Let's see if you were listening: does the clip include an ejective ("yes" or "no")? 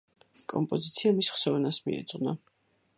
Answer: yes